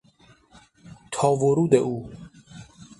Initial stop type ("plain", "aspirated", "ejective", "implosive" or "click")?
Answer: aspirated